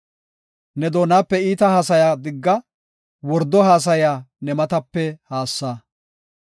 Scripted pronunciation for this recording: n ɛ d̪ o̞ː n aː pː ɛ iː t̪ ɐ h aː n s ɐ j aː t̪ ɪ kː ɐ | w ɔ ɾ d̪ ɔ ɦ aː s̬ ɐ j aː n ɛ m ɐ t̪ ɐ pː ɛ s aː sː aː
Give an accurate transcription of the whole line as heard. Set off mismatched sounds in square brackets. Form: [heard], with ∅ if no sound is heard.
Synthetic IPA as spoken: n ɛ d̪ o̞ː n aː pː ɛ iː t̪ ɐ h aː [∅] s ɐ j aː [d̪] ɪ [ɡː] ɐ | w ɔ ɾ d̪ ɔ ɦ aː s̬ ɐ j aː n ɛ m ɐ t̪ ɐ pː ɛ [h] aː sː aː